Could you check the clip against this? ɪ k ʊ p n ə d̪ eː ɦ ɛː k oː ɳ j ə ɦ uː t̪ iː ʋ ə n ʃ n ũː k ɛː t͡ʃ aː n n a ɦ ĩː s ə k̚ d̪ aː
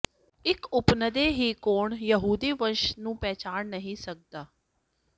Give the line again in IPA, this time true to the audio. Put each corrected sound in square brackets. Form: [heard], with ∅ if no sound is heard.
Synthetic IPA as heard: ɪ k ʊ p n ə d̪ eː ɦ [iː] k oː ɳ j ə ɦ uː [d̪] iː ʋ ə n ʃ n ũː [p] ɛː t͡ʃ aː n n [ə] ɦ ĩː s ə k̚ d̪ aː

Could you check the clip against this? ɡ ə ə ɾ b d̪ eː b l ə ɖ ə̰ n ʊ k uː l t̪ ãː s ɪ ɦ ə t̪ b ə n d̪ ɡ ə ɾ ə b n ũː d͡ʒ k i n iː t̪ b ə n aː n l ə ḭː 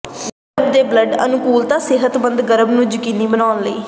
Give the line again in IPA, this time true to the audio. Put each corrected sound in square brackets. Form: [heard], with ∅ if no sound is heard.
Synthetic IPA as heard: ɡ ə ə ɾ b d̪ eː b l ə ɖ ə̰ n ʊ k uː l t̪ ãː s ɪ ɦ ə t̪ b ə n d̪ ɡ ə ɾ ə b n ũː d͡ʒ k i n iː [∅] b ə n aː n l ə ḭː

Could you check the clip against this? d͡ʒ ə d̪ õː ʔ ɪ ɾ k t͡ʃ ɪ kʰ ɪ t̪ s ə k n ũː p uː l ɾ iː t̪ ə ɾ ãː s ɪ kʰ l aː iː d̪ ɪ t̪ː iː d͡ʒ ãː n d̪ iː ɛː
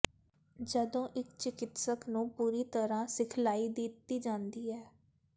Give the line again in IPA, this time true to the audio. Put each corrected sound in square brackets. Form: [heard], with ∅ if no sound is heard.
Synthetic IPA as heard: d͡ʒ ə d̪ õː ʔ ɪ [∅] k t͡ʃ ɪ [k] ɪ t̪ s ə k n ũː p uː [∅] ɾ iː t̪ ə ɾ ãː s ɪ kʰ l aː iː d̪ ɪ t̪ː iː d͡ʒ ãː n d̪ iː ɛː

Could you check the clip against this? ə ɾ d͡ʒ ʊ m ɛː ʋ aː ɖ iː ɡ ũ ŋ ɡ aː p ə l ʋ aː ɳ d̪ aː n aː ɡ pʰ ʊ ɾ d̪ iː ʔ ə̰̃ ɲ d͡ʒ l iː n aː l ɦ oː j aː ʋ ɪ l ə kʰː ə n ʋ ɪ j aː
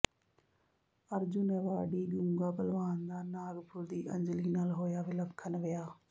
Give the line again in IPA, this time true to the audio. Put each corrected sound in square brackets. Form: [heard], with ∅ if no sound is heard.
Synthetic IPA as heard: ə ɾ d͡ʒ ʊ [n] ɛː ʋ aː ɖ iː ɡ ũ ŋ ɡ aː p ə l ʋ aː [n] d̪ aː n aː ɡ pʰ ʊ ɾ d̪ iː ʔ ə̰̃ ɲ d͡ʒ l iː n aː l ɦ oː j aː ʋ ɪ l ə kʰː ə n ʋ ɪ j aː

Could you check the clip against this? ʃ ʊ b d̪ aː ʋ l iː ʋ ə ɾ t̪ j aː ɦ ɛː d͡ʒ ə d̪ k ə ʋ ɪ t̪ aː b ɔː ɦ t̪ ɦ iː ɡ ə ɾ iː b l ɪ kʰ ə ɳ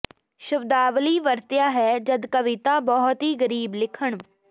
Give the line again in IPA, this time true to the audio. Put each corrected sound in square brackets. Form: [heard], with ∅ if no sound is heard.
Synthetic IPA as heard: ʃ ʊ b d̪ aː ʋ l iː ʋ ə ɾ t̪ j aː ɦ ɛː d͡ʒ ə d̪ k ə ʋ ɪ t̪ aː b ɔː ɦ t̪ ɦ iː ɡ ə ɾ iː b l ɪ kʰ ə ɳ

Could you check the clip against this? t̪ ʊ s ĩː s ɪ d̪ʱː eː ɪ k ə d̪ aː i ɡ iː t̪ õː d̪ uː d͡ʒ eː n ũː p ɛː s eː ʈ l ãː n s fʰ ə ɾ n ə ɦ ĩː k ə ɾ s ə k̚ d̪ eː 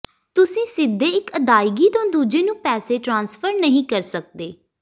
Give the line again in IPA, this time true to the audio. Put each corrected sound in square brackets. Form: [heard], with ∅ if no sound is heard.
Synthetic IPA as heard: t̪ ʊ s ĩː s ɪ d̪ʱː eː ɪ k ə d̪ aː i ɡ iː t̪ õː d̪ uː d͡ʒ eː n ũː p ɛː s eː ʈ [ɾ] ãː n s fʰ ə ɾ n ə ɦ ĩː k ə ɾ s ə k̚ d̪ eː

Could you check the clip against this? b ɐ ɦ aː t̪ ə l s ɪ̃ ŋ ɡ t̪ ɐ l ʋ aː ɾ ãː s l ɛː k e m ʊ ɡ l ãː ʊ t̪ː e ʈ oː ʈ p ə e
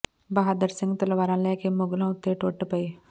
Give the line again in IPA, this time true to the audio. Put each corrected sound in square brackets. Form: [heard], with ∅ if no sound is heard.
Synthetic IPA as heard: b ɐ ɦ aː [d̪] ə [ɾ] s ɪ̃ ŋ ɡ t̪ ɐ l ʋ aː ɾ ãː [∅] l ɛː k e m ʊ ɡ l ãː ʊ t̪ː e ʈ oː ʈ p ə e

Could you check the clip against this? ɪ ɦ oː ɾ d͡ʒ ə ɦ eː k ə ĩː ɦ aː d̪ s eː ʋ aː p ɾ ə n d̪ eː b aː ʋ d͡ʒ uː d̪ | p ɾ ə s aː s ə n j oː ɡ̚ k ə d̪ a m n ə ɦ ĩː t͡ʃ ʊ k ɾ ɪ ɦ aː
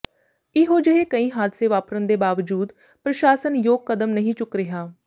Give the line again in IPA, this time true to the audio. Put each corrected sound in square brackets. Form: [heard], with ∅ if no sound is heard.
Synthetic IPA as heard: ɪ ɦ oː [∅] d͡ʒ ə ɦ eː k ə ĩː ɦ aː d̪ s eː ʋ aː p ɾ ə n d̪ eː b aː ʋ d͡ʒ uː d̪ | p ɾ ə [ʃ] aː s ə n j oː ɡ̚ k ə d̪ [ə] m n ə ɦ ĩː t͡ʃ ʊ k ɾ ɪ ɦ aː

